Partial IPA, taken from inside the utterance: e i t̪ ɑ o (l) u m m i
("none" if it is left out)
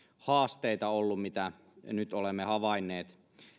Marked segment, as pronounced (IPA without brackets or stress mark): lː